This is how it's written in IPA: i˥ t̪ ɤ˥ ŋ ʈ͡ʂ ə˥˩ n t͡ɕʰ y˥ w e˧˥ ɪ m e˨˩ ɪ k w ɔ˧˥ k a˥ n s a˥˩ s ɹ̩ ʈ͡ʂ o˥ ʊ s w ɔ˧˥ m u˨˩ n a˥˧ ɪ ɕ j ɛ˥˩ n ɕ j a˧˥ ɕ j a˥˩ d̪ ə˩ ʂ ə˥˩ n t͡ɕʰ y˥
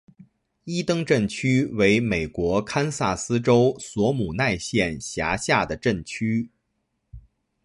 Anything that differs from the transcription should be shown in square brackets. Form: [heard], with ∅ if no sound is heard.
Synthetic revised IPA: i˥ t̪ ɤ˥ ŋ ʈ͡ʂ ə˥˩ n t͡ɕʰ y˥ w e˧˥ ɪ m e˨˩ ɪ k w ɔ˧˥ [kʰ] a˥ n s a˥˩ s ɹ̩ ʈ͡ʂ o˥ ʊ s w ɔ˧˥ m u˨˩ n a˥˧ ɪ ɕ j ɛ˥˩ n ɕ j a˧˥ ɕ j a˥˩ d̪ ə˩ [ʈ͡ʂ] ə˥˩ n t͡ɕʰ y˥